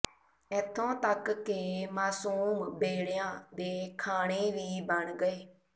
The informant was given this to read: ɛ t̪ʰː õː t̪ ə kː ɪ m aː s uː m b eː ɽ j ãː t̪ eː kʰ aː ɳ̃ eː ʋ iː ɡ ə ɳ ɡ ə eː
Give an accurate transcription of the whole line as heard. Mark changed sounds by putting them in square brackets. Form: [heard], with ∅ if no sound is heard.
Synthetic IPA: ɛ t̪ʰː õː t̪ ə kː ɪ m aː s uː m b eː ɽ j ãː [d̪] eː kʰ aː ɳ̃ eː ʋ iː [b] ə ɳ ɡ ə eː